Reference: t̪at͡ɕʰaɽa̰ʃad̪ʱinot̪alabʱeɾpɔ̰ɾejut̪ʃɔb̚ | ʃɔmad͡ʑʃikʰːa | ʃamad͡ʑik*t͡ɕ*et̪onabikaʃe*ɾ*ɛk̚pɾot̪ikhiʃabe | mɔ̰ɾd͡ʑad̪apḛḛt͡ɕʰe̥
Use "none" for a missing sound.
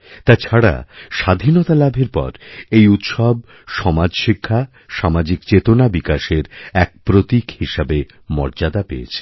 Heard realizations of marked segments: t͡ɕ, ɾ

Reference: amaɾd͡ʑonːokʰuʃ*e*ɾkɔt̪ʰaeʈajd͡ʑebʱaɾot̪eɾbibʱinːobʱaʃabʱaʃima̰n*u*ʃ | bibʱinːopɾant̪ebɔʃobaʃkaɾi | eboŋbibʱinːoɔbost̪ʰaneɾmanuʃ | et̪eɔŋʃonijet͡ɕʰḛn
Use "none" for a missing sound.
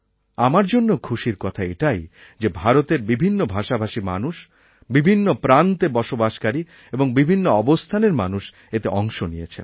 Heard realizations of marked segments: i, u

